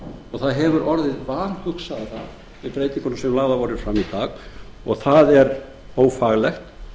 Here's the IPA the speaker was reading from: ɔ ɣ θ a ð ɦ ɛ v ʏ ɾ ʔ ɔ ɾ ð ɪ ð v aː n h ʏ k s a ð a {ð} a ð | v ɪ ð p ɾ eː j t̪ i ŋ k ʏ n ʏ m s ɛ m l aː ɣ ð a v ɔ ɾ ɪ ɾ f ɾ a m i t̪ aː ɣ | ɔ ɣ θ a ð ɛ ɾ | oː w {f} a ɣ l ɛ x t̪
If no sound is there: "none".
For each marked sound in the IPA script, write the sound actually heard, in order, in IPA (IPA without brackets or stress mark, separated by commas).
θ, f